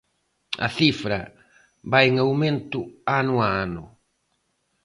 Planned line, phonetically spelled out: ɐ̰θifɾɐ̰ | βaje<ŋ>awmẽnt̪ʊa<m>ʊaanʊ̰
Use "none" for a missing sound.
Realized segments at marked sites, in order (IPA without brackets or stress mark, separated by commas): ŋ, n